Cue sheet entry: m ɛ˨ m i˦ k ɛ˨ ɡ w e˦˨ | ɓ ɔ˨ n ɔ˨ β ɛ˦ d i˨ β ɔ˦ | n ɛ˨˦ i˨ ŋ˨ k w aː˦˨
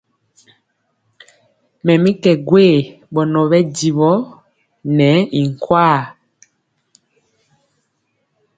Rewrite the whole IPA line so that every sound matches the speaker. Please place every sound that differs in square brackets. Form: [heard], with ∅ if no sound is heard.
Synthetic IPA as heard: m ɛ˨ m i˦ k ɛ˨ ɡ w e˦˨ | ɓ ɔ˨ n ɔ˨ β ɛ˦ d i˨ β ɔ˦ | n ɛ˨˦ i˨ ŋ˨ k w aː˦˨